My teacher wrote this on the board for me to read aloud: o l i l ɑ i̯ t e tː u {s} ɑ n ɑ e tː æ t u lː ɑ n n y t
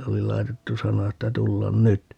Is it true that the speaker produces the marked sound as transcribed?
yes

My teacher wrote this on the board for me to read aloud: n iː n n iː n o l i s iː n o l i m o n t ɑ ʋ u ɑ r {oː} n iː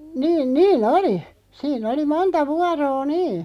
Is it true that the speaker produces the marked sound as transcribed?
yes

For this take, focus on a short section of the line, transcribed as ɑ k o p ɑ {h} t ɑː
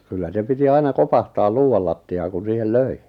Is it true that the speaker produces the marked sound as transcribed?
yes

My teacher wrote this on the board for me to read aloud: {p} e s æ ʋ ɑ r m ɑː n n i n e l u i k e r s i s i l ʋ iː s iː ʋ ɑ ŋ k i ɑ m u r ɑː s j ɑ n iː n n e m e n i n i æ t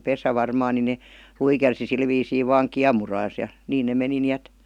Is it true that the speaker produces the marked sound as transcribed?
yes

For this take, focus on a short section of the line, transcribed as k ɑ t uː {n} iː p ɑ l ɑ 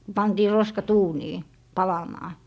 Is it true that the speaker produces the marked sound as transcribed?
yes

